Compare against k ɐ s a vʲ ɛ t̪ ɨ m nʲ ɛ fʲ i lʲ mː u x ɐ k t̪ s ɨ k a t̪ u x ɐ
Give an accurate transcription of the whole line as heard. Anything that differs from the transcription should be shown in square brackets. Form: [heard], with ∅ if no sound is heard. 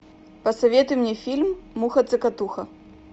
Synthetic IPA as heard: [p] ɐ s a vʲ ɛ t̪ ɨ m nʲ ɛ fʲ i lʲ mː u x ɐ [∅] t̪ s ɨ k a t̪ u x ɐ